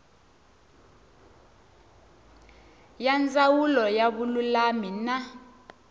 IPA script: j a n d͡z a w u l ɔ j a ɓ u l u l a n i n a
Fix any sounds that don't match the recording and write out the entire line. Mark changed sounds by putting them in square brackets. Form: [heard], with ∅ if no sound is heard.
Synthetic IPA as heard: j a n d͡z a w u l ɔ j a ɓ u l u l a [m] i n a